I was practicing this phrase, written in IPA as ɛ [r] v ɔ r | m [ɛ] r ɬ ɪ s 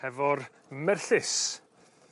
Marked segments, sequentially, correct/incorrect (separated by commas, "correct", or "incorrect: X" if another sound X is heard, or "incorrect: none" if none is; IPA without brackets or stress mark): incorrect: none, correct